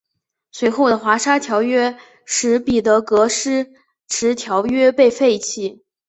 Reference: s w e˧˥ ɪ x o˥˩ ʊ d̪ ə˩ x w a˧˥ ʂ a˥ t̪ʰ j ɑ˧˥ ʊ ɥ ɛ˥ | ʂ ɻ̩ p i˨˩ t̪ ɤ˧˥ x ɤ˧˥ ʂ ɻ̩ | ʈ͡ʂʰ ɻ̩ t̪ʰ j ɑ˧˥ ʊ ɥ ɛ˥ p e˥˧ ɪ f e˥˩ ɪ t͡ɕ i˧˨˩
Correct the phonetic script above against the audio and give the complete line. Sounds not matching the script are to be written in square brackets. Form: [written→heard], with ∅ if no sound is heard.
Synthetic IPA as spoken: s w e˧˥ ɪ x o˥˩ ʊ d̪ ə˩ x w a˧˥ ʂ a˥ t̪ʰ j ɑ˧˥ ʊ ɥ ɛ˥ | ʂ ɻ̩ p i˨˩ t̪ ɤ˧˥ [x→k] ɤ˧˥ ʂ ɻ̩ | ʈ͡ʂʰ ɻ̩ t̪ʰ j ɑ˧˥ ʊ ɥ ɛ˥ p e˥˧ ɪ f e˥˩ ɪ [t͡ɕ→t͡ɕʰ] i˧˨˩